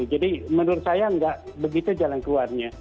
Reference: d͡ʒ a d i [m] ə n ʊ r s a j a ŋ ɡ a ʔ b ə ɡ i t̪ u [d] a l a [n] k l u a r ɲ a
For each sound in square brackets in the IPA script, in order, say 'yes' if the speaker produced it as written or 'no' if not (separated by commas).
yes, no, yes